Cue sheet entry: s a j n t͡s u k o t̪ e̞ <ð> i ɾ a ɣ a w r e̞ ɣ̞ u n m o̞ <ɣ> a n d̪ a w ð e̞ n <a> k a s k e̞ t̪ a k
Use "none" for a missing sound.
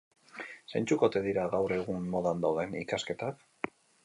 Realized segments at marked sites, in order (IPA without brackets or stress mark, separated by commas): ð, ð, i